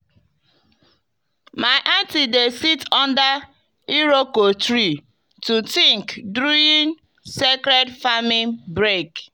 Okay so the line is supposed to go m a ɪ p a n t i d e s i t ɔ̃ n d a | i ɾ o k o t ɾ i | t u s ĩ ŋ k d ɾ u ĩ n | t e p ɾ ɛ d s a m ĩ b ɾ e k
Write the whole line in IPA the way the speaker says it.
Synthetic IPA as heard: m a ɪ ʔ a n t i d e s i t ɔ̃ n d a | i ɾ o k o t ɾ i | t u t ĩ ŋ k d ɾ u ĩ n | s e k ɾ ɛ d f a m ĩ b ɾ e k